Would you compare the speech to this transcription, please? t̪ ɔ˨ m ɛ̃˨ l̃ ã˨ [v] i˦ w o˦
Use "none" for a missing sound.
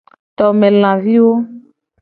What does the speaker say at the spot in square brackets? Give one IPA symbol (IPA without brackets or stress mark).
v